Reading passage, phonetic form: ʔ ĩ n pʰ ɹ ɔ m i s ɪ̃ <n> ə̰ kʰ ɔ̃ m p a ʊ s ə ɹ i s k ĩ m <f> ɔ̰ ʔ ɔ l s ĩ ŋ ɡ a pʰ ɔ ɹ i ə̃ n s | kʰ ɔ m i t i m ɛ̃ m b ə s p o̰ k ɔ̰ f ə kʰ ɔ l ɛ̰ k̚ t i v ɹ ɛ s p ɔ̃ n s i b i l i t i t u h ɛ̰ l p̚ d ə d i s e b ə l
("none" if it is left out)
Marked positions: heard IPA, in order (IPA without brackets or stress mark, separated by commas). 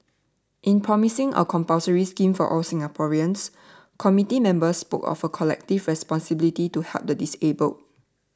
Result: ŋ, f